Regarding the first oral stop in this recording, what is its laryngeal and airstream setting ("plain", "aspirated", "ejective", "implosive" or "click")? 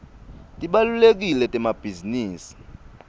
ejective